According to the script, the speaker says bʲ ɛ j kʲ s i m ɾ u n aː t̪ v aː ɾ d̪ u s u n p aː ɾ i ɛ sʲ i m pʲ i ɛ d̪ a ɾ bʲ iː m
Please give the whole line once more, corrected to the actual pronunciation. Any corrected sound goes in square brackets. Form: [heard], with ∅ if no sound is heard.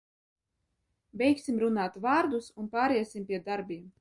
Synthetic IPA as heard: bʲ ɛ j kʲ s i m ɾ u n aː t̪ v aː ɾ d̪ u s u n p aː ɾ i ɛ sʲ i m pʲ i ɛ d̪ a ɾ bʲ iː m

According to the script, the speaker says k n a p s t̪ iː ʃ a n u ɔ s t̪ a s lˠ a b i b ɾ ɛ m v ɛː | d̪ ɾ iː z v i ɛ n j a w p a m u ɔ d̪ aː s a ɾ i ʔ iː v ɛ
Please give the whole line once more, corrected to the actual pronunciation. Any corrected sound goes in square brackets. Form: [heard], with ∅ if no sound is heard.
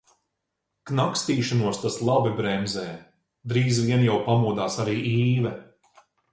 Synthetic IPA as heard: k n a [k] s t̪ iː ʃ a n u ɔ s t̪ a s lˠ a b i b ɾ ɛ m [z] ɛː | d̪ ɾ iː z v i ɛ n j a w p a m u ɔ d̪ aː s a ɾ [iː] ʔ iː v ɛ

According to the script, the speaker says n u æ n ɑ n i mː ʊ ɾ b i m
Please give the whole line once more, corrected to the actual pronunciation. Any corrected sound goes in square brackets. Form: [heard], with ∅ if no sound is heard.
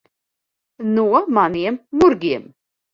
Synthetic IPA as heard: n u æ [m] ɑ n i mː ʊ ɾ [ɡ] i m

